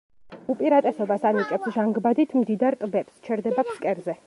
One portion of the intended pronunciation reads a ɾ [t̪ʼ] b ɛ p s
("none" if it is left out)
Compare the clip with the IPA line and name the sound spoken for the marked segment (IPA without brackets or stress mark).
t̪ʼ